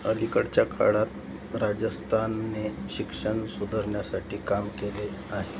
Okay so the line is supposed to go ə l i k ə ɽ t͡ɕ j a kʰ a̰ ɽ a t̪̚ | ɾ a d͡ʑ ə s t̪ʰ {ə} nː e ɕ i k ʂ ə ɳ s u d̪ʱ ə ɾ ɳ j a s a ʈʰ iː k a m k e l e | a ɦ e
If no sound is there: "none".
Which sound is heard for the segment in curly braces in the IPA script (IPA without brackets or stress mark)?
a